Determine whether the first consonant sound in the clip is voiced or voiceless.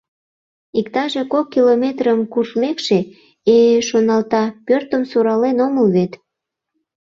voiceless